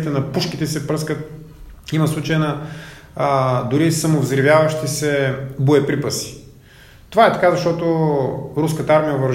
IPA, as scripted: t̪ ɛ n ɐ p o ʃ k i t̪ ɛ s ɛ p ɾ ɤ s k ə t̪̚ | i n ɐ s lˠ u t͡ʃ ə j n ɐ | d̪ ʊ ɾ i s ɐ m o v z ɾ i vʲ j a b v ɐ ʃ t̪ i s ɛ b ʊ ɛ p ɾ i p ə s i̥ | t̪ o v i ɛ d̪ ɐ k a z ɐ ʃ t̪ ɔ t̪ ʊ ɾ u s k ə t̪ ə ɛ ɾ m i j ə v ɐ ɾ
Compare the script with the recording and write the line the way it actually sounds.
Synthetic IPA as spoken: t̪ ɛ n ɐ p u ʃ k i t̪ ɛ s ɛ p ɾ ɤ s k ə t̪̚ | i m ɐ s lˠ u t͡ʃ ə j n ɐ | d̪ ʊ ɾ i s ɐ m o v z ɾ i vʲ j a v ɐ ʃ t̪ i s ɛ b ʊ ɛ p ɾ i p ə s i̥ | t̪ o v a ɛ t̪ ɐ k a z ɐ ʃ t̪ ɔ t̪ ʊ ɾ u s k ə t̪ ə a ɾ m i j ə v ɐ ɾ